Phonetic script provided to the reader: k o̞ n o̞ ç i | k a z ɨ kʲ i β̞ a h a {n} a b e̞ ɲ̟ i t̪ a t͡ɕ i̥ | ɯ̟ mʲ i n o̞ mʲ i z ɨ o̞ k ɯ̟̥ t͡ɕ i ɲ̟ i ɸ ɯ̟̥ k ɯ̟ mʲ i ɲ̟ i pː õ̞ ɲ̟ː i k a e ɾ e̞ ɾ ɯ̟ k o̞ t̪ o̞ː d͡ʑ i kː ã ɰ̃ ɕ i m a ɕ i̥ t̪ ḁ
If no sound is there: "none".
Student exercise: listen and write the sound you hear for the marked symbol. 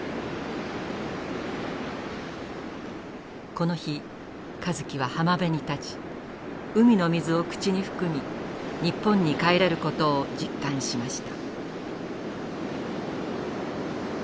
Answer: m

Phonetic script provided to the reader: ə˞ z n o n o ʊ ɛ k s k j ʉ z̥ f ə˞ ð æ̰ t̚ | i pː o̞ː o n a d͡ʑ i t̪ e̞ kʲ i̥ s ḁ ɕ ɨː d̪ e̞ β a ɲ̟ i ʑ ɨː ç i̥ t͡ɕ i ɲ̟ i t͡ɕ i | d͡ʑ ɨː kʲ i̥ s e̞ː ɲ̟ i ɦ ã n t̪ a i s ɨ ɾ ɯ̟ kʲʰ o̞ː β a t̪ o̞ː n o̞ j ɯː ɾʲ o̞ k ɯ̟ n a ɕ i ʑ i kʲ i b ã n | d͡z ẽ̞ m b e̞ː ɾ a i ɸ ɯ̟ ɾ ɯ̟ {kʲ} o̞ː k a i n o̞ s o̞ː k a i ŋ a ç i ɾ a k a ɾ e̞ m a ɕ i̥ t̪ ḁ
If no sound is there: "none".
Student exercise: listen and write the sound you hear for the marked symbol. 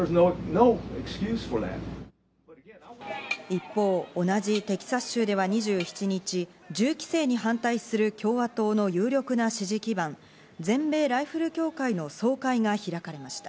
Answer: kʲ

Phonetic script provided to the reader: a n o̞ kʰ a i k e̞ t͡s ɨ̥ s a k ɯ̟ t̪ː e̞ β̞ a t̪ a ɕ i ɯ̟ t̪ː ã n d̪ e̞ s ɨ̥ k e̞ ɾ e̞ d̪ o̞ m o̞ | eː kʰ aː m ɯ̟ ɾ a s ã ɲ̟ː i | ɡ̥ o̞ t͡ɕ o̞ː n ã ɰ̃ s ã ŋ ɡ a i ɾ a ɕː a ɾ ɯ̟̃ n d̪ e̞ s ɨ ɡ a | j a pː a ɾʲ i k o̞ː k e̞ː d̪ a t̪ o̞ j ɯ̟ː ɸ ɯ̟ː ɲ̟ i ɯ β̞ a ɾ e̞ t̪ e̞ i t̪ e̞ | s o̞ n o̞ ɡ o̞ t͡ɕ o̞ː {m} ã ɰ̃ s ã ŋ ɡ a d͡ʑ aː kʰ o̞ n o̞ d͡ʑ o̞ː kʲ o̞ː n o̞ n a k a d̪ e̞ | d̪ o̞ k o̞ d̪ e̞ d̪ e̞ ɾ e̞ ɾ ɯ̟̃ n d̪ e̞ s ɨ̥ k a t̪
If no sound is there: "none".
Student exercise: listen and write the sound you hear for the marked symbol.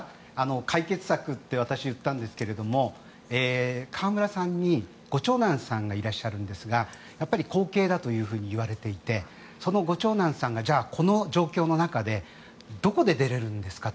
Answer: n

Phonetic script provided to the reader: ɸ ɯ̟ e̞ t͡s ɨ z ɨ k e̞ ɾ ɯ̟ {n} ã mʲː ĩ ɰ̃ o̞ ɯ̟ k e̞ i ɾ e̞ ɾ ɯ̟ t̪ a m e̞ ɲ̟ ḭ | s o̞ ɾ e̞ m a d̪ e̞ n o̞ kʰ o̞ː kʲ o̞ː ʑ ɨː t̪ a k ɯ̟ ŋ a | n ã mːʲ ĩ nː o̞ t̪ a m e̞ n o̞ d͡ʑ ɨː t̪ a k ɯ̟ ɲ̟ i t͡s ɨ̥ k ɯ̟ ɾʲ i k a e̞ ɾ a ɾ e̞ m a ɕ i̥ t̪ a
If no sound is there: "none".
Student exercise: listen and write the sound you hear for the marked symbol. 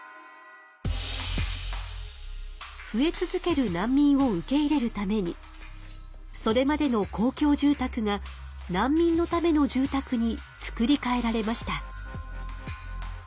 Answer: n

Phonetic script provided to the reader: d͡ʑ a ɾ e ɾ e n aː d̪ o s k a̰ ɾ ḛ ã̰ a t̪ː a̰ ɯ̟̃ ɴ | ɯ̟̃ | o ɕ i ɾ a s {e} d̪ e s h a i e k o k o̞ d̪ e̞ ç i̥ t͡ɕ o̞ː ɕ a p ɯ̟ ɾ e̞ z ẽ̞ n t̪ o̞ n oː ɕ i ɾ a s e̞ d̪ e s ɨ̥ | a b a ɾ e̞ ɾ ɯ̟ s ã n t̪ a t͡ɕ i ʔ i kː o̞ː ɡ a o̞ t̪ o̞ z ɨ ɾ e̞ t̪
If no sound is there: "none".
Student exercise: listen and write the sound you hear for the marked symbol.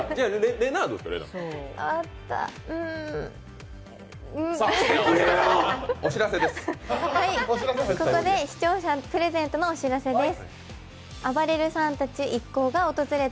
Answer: e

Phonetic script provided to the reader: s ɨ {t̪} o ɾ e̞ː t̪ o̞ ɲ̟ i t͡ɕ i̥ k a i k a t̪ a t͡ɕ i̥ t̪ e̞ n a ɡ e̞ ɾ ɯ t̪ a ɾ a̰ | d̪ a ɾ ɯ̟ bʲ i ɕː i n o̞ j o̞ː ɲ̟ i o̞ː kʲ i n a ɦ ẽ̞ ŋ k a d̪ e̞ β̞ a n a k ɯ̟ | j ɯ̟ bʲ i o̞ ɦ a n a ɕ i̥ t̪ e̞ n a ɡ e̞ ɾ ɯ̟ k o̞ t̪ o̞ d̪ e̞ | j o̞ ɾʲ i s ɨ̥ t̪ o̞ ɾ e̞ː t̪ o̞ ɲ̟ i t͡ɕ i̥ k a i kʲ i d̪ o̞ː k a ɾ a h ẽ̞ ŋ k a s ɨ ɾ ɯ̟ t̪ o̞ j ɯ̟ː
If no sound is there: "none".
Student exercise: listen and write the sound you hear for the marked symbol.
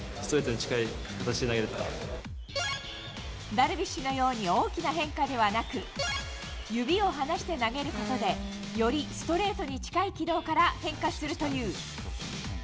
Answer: t̪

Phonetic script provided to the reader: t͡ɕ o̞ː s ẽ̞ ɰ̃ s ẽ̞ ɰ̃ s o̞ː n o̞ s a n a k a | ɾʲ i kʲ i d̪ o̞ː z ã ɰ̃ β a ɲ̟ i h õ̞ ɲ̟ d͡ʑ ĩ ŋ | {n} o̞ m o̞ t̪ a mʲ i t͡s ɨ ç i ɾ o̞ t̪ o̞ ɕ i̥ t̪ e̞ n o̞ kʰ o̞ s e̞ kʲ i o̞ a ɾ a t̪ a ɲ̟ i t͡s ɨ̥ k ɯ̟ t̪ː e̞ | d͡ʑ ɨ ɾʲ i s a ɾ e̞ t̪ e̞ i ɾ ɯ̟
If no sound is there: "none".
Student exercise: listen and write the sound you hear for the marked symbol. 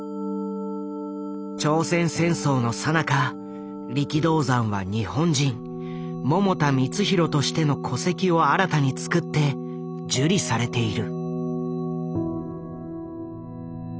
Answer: m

